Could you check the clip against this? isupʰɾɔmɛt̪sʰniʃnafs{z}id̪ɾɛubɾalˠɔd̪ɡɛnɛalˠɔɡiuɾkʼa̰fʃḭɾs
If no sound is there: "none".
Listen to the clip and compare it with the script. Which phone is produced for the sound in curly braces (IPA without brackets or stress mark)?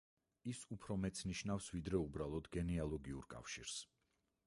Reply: v